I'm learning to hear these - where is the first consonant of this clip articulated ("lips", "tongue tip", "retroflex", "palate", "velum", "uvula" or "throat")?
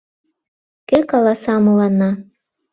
velum